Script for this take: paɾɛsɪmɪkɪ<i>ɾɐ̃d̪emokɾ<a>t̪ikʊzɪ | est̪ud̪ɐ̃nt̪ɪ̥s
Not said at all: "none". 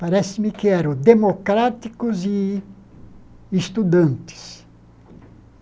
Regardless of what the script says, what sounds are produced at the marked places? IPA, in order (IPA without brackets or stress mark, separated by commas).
ɛ, a